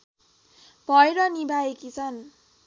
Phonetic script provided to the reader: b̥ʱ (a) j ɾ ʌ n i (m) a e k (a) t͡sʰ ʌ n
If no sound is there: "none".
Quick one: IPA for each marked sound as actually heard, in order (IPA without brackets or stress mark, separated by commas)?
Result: ʌ, b, i